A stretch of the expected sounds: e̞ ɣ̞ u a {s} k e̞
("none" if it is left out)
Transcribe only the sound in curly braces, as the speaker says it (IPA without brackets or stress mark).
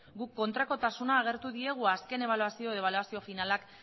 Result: s